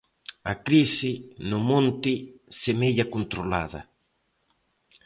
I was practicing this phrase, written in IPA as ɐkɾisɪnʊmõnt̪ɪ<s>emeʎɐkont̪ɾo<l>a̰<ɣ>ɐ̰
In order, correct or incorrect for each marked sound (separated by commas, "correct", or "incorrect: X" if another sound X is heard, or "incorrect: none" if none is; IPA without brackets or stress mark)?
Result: correct, correct, incorrect: ð